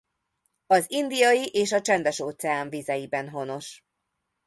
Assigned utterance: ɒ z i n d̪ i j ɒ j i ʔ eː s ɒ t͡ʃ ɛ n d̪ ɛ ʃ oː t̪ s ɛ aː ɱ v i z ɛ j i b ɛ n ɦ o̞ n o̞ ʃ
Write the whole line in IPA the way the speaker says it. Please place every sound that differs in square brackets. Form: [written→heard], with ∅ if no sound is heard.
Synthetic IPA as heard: ɒ z i n d̪ i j ɒ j i ʔ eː [s→ʃ] ɒ t͡ʃ ɛ n d̪ ɛ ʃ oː t̪ s ɛ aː ɱ v i z ɛ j i b ɛ n ɦ o̞ n o̞ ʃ